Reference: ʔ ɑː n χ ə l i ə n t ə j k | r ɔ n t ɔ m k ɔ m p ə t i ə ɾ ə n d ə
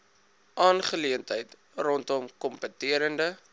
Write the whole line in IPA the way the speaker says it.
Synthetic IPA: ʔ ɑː n χ ə l i ə n t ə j t | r ɔ n t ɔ m k ɔ m p ə t i ə ɾ ə n d ə